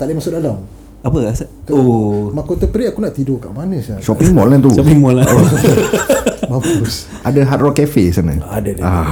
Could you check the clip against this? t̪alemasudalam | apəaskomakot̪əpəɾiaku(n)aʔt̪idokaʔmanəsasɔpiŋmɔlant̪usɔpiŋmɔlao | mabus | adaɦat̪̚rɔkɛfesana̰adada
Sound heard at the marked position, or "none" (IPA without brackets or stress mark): n